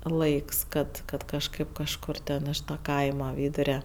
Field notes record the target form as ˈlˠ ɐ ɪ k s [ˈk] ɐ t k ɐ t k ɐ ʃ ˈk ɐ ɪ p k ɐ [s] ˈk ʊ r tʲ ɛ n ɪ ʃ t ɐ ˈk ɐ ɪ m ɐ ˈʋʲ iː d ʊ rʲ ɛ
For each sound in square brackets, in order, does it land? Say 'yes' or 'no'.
yes, no

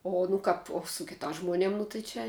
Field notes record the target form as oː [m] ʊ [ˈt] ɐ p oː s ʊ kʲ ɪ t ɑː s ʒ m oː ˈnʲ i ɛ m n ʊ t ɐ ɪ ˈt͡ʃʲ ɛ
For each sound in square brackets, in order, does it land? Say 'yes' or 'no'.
no, no

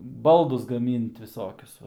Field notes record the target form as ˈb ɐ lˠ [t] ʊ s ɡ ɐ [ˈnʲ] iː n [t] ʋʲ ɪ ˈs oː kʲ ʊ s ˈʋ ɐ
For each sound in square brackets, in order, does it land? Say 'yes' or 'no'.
no, no, yes

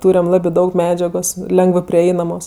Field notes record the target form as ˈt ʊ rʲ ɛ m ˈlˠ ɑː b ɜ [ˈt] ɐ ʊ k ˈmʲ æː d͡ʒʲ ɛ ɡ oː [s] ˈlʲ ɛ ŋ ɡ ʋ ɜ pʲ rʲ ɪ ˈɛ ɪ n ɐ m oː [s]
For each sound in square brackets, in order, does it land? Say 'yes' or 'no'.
no, yes, yes

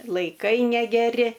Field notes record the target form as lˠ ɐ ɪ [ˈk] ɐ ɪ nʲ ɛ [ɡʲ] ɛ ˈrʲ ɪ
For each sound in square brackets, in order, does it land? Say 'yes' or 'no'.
yes, yes

